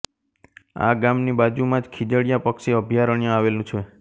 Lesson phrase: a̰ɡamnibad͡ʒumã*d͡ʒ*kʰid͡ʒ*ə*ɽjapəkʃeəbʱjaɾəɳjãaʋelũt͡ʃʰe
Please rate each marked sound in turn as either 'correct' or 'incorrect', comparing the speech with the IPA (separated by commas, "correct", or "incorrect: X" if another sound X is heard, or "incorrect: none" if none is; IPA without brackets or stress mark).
correct, correct